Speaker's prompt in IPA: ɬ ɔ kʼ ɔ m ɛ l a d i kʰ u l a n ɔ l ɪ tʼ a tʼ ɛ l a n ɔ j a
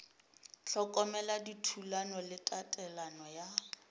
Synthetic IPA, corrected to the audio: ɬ ɔ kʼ ɔ m ɛ l a d i tʰ u l a n ɔ l ɪ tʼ a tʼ ɛ l a n ɔ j a